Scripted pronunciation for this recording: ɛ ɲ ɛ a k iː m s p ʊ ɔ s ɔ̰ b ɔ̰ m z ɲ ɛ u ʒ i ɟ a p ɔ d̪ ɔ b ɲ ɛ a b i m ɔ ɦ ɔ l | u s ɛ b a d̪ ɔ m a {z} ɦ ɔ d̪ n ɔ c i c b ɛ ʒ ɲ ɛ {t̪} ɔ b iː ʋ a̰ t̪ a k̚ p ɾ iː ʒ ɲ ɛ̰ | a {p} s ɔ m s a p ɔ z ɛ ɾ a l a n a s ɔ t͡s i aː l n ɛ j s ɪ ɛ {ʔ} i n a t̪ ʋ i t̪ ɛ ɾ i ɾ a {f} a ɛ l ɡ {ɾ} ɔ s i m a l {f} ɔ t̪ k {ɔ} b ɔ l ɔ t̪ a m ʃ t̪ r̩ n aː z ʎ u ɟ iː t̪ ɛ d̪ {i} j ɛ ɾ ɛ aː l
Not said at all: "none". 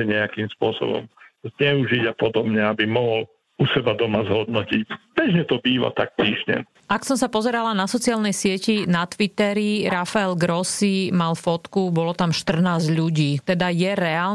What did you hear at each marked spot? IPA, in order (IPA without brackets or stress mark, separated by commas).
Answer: z, t̪, k, c, f, ɾ, f, u, a